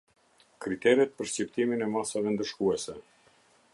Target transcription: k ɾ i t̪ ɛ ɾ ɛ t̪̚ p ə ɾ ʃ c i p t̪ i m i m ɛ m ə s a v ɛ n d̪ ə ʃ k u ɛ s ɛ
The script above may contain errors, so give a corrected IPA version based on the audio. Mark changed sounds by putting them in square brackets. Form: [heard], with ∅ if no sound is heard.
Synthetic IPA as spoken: k ɾ i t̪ ɛ ɾ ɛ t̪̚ p ə ɾ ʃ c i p t̪ i m i [n] ɛ m [a] s a v ɛ n d̪ ə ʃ k u ɛ s ɛ